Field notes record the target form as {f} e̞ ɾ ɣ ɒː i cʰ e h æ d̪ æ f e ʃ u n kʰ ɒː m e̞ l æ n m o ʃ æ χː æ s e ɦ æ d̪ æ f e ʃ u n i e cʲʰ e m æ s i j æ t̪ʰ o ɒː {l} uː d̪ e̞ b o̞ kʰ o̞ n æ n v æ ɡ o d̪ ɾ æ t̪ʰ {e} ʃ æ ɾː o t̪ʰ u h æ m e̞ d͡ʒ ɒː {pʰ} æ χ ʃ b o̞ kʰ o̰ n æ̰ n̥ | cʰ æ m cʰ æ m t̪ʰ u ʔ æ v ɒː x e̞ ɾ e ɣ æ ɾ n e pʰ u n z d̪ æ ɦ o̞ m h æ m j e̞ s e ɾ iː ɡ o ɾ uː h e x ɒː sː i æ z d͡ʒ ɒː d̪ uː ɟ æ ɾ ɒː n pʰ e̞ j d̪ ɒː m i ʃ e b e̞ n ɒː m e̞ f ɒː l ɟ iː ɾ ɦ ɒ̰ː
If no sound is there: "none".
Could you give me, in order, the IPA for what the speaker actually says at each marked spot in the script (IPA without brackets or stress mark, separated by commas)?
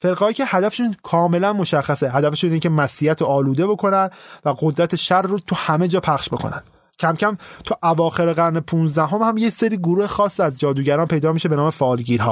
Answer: f, l, e, pʰ